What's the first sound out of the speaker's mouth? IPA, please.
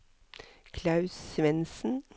kʰ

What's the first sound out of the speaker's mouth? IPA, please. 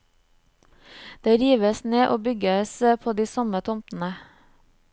d̪̥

